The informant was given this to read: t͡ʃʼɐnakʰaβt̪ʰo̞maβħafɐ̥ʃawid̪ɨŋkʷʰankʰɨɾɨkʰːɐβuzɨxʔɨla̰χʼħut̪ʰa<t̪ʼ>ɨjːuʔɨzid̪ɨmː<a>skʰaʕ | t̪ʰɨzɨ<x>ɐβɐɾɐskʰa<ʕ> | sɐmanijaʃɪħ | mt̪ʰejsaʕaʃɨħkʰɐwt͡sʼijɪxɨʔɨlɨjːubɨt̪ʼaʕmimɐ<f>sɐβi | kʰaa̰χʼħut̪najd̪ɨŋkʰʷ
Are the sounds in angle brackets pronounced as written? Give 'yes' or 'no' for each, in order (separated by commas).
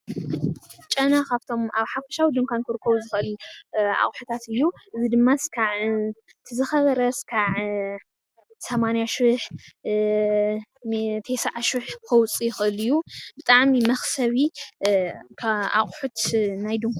no, yes, yes, yes, no